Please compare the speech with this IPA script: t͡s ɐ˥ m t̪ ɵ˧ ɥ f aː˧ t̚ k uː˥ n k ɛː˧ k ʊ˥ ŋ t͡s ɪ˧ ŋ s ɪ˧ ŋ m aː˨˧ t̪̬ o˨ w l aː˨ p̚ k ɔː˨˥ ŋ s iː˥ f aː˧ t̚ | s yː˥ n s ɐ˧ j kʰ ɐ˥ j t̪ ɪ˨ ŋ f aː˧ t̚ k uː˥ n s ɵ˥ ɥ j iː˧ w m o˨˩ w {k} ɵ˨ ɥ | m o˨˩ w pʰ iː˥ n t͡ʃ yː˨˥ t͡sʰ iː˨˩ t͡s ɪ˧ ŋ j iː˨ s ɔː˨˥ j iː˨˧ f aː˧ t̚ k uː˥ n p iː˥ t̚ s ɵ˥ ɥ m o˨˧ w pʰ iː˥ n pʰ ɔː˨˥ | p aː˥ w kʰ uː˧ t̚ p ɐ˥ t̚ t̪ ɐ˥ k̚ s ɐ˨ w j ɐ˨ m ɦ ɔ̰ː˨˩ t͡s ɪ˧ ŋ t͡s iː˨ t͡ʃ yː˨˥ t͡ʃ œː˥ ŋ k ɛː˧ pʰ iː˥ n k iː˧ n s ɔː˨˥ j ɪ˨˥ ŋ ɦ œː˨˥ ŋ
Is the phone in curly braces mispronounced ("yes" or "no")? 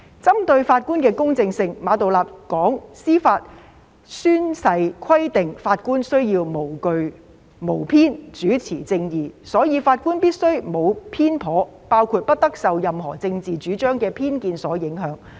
no